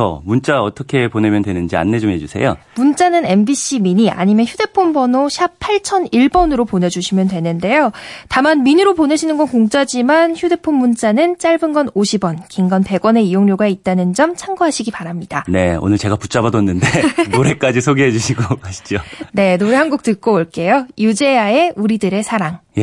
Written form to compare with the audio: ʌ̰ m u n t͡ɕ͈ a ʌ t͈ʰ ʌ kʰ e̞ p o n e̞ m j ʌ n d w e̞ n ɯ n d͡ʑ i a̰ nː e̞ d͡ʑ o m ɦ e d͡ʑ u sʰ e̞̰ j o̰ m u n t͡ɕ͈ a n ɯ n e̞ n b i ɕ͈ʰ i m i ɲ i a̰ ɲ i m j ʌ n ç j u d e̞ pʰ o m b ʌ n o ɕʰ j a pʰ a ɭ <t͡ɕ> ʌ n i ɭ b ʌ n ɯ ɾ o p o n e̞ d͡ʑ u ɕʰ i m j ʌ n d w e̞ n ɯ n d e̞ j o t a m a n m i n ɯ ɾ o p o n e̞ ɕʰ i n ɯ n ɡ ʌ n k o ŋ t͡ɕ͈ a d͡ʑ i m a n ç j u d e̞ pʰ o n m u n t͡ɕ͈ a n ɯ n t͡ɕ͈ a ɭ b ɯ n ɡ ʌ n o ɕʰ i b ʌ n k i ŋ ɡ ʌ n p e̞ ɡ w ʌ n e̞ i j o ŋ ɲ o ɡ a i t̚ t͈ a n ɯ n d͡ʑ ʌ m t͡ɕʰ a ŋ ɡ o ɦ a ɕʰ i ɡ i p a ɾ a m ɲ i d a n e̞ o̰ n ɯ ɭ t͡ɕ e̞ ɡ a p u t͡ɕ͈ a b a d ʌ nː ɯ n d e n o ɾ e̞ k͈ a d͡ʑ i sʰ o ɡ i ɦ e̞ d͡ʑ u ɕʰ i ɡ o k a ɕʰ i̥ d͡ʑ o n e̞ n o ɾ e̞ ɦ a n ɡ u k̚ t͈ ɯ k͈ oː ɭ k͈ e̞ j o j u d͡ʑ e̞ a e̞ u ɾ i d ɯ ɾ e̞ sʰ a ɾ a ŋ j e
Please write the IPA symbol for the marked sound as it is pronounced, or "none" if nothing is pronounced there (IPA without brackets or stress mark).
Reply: t͡ɕʰ